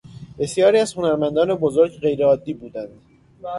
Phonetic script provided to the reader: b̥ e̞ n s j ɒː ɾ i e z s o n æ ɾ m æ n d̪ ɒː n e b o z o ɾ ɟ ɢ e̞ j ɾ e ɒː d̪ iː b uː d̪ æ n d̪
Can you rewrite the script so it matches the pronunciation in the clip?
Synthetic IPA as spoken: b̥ e̞ s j ɒː ɾ i æ z h o n æ ɾ m æ n d̪ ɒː n e b o z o ɾ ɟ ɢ e̞ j ɾ e ɒː d̪ː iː b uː d̪ æ n d̪